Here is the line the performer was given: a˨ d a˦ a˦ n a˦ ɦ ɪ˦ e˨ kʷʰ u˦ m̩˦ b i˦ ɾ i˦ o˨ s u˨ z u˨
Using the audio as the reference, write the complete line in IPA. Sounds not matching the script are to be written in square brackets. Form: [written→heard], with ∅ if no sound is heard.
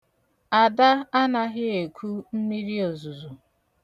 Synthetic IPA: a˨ d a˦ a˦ n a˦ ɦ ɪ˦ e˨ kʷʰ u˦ m̩˦ [b→m] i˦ ɾ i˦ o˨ [s→z] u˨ z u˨